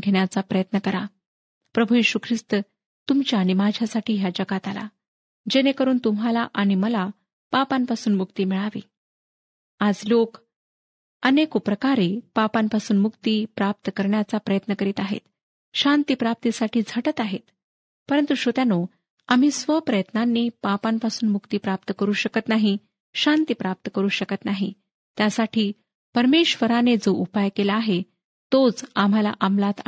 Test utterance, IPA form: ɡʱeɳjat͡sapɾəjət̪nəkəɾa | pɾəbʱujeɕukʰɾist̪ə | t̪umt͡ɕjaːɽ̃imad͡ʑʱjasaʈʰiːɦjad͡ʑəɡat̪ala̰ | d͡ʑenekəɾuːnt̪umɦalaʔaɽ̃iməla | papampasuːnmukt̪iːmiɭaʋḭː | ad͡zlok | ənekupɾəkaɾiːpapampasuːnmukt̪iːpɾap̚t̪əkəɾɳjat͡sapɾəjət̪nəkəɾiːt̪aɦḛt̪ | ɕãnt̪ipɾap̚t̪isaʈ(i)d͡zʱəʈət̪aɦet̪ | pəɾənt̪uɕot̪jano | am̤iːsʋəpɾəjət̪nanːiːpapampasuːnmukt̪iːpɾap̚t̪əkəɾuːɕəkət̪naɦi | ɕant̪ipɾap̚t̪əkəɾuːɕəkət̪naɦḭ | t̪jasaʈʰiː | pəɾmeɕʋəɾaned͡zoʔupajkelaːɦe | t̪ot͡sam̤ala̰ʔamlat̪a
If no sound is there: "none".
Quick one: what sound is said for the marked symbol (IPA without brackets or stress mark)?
iː